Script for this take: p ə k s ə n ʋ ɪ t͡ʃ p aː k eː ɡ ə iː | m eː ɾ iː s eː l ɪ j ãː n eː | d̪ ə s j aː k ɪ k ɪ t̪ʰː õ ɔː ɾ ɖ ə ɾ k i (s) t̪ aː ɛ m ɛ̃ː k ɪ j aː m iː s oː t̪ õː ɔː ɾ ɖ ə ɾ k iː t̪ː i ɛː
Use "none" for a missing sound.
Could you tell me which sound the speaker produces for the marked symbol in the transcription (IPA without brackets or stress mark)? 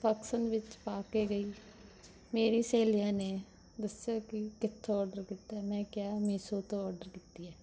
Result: none